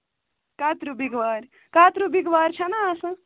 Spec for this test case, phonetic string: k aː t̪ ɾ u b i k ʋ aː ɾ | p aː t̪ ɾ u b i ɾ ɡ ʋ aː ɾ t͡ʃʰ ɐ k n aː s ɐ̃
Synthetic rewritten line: k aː t̪ ɾ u b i ɡ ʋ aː ɾ | k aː t̪ ɾ u b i ɡ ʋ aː ɾ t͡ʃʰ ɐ n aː s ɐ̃